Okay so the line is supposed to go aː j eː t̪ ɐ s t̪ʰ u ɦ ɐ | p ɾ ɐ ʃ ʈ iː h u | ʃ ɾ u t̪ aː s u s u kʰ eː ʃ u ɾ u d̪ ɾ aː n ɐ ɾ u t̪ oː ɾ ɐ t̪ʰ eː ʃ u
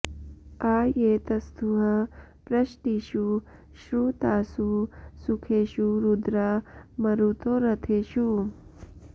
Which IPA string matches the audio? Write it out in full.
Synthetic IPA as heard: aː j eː t̪ ɐ s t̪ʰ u ɦ ɐ | p ɾ ɐ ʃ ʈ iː ʃ u | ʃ ɾ u t̪ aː s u s u kʰ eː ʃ u ɾ u d̪ ɾ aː m ɐ ɾ u t̪ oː ɾ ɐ t̪ʰ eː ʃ u